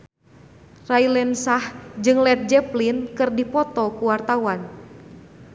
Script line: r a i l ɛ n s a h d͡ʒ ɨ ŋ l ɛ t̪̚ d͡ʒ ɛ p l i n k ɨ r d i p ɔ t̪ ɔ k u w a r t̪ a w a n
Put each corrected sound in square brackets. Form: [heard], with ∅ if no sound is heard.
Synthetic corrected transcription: r a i l ɛ n s a h d͡ʒ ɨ ŋ l ɛ t̪̚ d͡ʒ ɛ p l i n k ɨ r d i p ɔ t̪ ɔ k u w a r t̪ a w a n

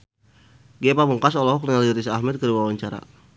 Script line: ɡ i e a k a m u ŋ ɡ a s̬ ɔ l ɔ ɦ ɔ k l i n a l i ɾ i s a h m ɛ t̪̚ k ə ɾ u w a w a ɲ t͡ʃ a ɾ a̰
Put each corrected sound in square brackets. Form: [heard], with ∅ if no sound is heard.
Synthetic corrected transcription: ɡ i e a [p] a m u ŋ [k] a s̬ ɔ l ɔ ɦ ɔ k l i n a l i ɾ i s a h m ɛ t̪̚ k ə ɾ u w a w a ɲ t͡ʃ a ɾ a̰

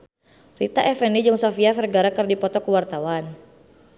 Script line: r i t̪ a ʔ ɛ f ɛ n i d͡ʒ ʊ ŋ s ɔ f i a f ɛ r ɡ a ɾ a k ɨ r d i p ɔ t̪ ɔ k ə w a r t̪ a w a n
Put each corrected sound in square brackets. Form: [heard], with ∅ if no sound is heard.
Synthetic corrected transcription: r i t̪ a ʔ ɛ f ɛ n i d͡ʒ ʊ ŋ s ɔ f i a f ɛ r ɡ a ɾ a k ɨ r d i p ɔ t̪ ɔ k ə w a r t̪ a w a n

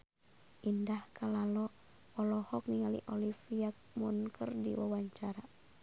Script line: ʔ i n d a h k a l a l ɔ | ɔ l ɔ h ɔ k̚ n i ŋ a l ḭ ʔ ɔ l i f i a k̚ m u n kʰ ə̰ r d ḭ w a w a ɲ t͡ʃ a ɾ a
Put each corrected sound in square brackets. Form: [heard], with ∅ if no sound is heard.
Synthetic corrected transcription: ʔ i n d a h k a l a l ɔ | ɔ l ɔ h ɔ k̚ n i ŋ a l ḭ ʔ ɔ l i f i a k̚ m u n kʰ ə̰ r d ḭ w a w a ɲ t͡ʃ a ɾ a

